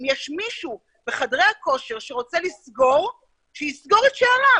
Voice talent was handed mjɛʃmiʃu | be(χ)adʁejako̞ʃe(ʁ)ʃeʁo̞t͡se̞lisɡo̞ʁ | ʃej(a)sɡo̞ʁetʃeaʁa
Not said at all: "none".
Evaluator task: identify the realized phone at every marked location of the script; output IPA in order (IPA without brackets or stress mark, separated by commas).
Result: χ, ʁ, i